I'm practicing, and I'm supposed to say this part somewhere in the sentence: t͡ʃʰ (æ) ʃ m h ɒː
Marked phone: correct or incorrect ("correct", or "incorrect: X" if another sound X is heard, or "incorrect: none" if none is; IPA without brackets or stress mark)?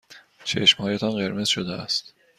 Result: incorrect: e